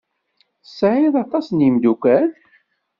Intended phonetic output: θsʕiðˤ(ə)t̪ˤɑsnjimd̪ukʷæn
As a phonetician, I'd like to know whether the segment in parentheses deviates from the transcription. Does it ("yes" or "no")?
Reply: yes